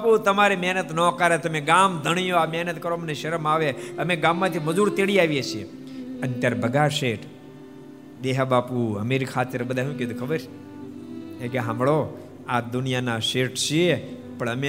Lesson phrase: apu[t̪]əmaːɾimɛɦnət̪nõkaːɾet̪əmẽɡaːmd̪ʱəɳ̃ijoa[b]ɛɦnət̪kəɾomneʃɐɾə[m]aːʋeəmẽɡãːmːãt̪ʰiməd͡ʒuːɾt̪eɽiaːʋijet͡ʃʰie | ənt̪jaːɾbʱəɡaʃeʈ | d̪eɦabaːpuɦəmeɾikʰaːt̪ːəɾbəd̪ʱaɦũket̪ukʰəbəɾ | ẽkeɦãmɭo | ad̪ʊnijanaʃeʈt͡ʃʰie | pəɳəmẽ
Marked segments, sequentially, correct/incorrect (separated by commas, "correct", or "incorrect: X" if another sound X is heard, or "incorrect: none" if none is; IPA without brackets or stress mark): correct, incorrect: m, correct